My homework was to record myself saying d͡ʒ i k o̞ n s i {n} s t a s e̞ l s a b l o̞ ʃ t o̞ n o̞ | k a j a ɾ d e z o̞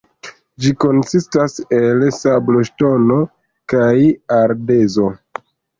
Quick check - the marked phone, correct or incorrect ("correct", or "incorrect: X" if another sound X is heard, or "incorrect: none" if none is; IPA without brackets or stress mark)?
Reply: incorrect: none